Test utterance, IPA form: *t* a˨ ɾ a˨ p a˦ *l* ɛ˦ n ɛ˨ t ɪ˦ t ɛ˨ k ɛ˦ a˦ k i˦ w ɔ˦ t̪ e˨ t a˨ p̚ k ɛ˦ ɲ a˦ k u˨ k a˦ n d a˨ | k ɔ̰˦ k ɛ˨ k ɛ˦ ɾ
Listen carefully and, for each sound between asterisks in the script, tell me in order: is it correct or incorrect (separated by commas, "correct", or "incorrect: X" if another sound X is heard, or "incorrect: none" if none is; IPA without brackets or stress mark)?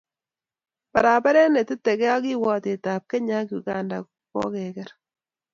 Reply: incorrect: p, incorrect: ɾ